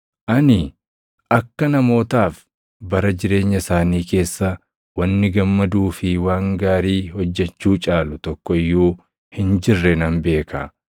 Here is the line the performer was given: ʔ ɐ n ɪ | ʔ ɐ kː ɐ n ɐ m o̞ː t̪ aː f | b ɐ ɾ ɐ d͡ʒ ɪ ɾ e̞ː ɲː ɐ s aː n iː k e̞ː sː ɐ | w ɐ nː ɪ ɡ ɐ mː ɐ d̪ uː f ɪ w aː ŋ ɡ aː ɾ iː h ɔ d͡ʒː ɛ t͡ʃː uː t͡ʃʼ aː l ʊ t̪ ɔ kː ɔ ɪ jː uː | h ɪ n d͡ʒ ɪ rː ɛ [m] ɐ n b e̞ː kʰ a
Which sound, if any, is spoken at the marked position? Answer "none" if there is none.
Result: n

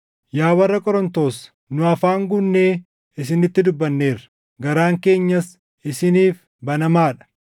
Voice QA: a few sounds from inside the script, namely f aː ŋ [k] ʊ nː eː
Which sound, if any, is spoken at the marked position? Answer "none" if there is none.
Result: ɡ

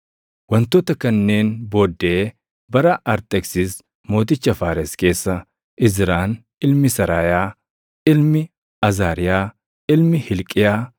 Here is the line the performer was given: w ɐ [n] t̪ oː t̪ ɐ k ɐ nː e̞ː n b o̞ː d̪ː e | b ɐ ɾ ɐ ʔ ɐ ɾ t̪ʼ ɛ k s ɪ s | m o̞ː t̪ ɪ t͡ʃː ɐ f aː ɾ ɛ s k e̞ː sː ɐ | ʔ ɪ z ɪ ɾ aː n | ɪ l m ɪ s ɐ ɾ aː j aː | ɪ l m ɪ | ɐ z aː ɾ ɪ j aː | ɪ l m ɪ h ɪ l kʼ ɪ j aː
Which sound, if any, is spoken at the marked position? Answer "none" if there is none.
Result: n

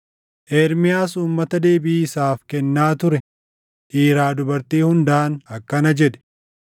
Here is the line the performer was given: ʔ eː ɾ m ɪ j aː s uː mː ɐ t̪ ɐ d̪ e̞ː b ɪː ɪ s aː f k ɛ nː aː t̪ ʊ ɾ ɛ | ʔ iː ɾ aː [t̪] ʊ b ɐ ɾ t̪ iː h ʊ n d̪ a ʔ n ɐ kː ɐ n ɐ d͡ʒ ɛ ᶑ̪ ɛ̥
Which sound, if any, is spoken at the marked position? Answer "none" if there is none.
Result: d̪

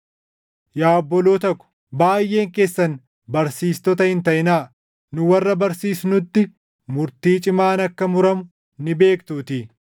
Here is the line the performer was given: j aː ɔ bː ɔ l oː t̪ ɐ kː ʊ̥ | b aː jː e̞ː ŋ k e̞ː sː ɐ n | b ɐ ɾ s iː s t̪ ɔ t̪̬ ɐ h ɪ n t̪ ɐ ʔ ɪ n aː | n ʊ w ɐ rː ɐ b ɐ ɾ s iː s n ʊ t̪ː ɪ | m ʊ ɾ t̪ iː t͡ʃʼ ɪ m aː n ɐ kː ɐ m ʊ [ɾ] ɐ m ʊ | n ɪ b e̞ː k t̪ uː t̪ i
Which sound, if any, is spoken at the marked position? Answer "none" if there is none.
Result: ɾ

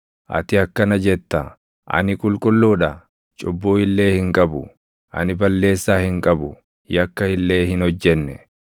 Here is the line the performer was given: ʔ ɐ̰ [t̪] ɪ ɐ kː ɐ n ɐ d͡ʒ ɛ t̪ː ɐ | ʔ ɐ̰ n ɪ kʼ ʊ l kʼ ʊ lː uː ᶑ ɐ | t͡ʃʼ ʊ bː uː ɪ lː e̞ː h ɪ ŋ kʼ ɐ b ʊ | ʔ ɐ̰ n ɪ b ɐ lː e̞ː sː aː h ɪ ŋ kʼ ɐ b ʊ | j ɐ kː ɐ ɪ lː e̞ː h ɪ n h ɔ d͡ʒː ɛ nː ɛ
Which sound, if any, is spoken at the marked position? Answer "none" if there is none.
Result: t̪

